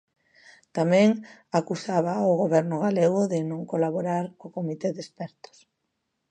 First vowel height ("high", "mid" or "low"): low